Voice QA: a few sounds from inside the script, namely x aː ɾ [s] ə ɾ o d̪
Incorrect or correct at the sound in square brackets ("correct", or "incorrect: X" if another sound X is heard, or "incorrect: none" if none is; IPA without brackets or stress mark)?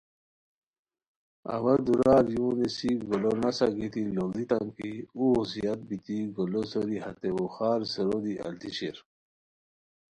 correct